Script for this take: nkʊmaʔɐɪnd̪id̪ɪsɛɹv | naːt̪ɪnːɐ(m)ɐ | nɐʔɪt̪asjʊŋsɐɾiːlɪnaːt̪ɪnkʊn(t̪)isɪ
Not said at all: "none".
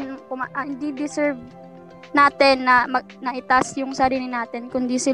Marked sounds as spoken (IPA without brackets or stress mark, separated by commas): m, d̪